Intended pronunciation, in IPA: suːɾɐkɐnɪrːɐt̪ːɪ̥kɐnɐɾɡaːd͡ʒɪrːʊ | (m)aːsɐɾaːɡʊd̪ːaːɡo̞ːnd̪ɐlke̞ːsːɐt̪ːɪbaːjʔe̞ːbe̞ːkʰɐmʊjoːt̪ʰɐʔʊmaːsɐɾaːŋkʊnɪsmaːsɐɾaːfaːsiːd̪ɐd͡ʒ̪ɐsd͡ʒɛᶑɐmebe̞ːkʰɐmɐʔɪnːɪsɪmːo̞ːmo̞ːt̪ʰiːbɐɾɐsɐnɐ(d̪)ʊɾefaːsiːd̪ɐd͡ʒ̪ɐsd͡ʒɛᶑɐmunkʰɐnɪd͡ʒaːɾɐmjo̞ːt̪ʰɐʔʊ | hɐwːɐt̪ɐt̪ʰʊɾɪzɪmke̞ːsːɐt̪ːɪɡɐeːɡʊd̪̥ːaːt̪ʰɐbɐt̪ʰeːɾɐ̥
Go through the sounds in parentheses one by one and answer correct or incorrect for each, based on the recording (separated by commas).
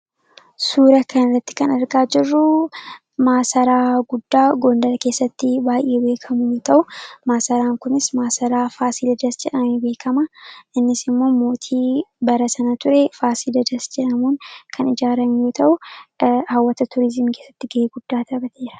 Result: correct, incorrect